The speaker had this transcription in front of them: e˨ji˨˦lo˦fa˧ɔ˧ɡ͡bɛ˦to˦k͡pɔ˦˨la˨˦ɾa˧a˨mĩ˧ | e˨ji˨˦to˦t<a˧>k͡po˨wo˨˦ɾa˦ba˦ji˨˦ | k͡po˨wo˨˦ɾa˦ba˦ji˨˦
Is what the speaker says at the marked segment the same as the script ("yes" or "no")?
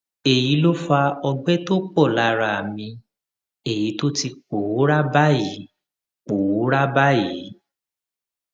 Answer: no